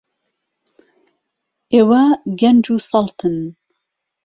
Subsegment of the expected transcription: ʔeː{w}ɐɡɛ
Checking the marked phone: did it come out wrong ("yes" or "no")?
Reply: no